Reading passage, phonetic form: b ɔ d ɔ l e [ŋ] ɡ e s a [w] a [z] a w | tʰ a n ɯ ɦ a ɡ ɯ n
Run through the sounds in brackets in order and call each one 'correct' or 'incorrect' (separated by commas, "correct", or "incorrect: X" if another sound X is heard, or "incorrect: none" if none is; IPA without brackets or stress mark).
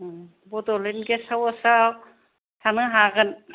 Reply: incorrect: n, correct, incorrect: s